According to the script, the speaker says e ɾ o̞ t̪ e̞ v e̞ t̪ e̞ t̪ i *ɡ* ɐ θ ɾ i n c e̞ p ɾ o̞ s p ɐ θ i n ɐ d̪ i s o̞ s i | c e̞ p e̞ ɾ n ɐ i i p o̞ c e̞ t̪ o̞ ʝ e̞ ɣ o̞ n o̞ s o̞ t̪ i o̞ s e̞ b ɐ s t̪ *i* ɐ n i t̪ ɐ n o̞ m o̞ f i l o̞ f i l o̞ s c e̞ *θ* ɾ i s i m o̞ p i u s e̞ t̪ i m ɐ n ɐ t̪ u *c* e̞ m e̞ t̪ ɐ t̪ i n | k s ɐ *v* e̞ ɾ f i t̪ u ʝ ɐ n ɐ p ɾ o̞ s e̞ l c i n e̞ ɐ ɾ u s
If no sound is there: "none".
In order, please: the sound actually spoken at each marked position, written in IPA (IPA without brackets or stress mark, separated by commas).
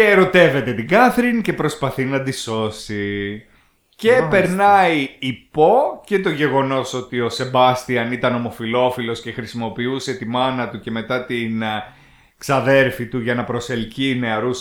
ɡ, i, x, c, ð